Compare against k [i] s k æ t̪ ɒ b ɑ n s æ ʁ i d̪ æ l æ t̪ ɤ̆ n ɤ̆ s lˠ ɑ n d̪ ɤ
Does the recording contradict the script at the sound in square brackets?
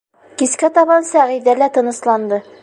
no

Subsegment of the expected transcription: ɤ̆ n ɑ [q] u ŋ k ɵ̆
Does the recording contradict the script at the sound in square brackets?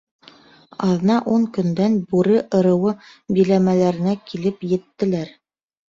yes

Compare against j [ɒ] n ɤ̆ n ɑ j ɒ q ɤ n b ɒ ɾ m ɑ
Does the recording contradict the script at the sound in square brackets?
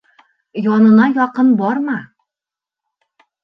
no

